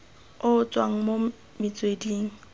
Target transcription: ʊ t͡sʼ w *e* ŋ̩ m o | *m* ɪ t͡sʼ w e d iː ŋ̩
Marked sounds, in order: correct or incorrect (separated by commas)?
incorrect, correct